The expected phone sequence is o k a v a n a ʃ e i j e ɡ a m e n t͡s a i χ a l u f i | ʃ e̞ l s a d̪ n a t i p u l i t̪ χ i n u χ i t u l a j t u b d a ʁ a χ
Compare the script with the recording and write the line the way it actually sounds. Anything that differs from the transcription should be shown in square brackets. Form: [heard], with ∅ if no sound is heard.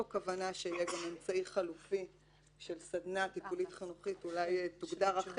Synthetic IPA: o k a v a n a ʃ e i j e ɡ a m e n t͡s a i χ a l u f i | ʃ e̞ l s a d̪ n a t i p u l i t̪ χ i n u χ i t u l a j t u [ɡ] d a ʁ a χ